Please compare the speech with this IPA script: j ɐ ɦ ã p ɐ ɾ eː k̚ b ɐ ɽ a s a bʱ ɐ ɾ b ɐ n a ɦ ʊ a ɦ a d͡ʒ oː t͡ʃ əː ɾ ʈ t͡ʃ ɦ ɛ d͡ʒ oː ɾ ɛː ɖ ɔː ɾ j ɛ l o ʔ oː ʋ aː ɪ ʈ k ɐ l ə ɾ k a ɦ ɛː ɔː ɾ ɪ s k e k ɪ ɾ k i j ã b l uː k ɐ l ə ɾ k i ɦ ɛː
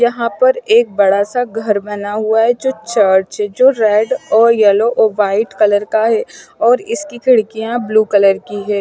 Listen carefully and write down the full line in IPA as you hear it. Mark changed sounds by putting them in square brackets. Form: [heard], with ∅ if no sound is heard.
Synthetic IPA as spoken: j ɐ ɦ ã p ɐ ɾ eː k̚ b ɐ ɽ a s a [ɡʱ] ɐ ɾ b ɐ n a ɦ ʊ a ɦ [ɛ] d͡ʒ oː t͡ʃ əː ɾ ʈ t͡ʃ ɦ ɛ d͡ʒ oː ɾ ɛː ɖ ɔː ɾ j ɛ l o ʔ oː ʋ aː ɪ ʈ k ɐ l ə ɾ k a ɦ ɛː ɔː ɾ ɪ s k [i] k ɪ [ɽ] k i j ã b l uː k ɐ l ə ɾ k i ɦ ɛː